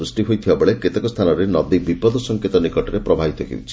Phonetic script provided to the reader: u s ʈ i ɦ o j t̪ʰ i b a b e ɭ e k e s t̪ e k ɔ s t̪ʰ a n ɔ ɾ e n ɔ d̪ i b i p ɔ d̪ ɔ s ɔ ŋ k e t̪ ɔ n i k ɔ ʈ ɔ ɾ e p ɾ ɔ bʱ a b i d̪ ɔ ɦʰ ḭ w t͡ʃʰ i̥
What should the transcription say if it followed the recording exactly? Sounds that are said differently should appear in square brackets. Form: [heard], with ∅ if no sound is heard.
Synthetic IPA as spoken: u s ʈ i ɦ o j t̪ʰ i b a b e ɭ e k e [∅] t̪ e k ɔ s t̪ʰ a n ɔ ɾ e n ɔ d̪ i b i p ɔ d̪ ɔ s ɔ ŋ k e t̪ ɔ n i k ɔ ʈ ɔ ɾ e p ɾ ɔ bʱ a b i [t̪] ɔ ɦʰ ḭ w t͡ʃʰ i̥

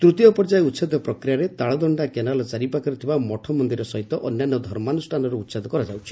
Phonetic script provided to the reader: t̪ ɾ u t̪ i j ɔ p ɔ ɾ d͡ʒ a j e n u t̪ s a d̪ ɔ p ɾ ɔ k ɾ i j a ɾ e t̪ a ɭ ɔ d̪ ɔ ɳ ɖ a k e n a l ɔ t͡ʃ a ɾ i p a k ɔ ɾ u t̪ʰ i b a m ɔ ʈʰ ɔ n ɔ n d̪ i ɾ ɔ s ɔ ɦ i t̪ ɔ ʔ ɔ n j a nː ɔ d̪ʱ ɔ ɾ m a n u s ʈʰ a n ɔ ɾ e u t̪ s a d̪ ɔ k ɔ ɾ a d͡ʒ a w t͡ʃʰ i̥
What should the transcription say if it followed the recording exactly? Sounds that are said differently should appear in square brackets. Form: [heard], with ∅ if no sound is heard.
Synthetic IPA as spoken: t̪ ɾ u t̪ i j ɔ p ɔ ɾ d͡ʒ a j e [∅] u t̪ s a d̪ ɔ p ɾ ɔ k ɾ i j a ɾ e t̪ a ɭ ɔ d̪ ɔ ɳ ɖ a k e n a l ɔ t͡ʃ a ɾ i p a k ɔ ɾ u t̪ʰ i b a m ɔ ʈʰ ɔ [m] ɔ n d̪ i ɾ ɔ s ɔ ɦ i t̪ ɔ ʔ ɔ n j a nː ɔ d̪ʱ ɔ ɾ m a n u s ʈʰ a n ɔ ɾ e u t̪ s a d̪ ɔ k ɔ ɾ a d͡ʒ a w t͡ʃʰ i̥

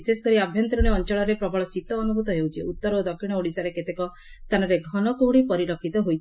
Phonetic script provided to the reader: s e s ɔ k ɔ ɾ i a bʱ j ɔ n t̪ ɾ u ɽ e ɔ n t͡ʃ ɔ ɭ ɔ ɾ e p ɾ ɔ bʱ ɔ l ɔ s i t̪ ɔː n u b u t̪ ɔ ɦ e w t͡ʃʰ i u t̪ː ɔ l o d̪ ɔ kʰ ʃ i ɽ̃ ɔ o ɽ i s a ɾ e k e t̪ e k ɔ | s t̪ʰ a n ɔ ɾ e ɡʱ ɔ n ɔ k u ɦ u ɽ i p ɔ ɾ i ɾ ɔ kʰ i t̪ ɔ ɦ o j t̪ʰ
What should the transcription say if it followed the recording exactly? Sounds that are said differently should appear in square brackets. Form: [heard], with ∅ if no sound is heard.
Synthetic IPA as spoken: s e s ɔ k ɔ ɾ i a bʱ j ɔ n t̪ ɾ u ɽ e ɔ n t͡ʃ ɔ ɭ ɔ ɾ e p ɾ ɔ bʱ ɔ [ɭ] ɔ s i t̪ ɔː n u b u t̪ ɔ ɦ e w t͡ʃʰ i u t̪ː ɔ [ɾ] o d̪ ɔ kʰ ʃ i ɽ̃ ɔ o ɽ i s a ɾ e k e t̪ e k ɔ | s t̪ʰ a n ɔ ɾ e ɡʱ ɔ n ɔ k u ɦ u ɽ i p ɔ ɾ i ɾ ɔ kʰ i t̪ ɔ ɦ o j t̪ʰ

